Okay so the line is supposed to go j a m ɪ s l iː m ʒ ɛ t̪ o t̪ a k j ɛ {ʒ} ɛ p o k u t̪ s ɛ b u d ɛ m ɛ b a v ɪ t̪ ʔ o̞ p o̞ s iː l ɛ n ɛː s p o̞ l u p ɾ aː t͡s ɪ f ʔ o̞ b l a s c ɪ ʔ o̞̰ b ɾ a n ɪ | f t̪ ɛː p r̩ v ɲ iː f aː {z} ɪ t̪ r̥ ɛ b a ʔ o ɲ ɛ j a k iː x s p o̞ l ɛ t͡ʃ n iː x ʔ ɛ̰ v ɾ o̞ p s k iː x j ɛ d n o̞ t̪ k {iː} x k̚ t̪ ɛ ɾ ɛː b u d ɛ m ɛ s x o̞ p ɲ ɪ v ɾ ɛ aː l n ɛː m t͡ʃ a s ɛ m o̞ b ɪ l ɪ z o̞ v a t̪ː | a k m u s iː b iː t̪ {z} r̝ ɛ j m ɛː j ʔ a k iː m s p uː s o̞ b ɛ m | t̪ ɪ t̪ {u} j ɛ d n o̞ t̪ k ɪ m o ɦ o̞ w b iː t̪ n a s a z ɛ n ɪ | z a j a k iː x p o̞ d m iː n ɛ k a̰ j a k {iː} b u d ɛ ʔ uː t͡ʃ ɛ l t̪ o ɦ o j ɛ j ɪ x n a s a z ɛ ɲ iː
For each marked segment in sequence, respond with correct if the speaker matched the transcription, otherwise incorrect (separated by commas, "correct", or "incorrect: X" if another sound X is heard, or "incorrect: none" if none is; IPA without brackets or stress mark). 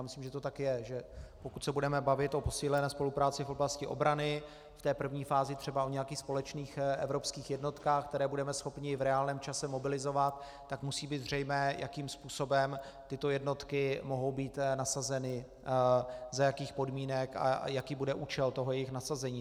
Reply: correct, correct, incorrect: aː, correct, incorrect: o, correct